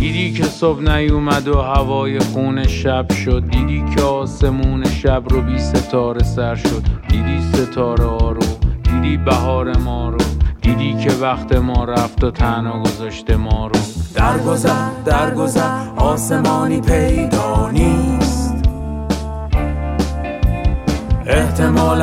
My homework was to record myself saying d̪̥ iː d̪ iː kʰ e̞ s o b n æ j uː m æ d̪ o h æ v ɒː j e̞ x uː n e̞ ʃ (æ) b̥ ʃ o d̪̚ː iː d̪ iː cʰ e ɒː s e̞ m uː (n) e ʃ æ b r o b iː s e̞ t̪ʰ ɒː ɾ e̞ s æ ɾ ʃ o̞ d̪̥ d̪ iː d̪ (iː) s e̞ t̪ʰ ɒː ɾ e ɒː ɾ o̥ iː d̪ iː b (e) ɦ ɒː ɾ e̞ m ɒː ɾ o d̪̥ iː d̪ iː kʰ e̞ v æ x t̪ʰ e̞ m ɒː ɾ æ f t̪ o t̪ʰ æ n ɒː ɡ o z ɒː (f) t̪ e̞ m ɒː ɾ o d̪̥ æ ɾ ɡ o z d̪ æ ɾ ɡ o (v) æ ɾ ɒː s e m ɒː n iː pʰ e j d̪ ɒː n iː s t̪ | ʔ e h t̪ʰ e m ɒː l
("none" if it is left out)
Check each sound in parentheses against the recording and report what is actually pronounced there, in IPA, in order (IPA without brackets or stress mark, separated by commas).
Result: æ, n, iː, æ, ʃ, z